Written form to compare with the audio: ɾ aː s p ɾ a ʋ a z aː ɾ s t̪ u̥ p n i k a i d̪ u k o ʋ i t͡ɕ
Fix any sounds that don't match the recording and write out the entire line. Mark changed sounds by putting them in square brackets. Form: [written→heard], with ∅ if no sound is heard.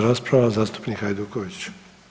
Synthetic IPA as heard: ɾ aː s p ɾ a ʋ a z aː [ɾ→∅] s t̪ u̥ p n i k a [i→j] d̪ u k o ʋ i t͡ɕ